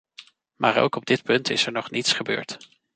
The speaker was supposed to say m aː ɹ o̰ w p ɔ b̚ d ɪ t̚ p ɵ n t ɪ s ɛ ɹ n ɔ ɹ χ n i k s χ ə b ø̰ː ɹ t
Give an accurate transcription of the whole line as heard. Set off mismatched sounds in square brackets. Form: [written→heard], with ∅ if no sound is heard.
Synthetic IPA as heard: m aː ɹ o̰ w [p→k] ɔ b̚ d ɪ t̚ p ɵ n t ɪ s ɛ ɹ n ɔ [ɹ→∅] χ n i [k→t] s χ ə b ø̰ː ɹ t